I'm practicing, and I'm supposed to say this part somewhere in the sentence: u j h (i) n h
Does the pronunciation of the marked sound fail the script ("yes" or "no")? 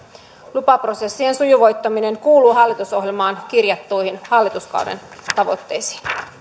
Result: no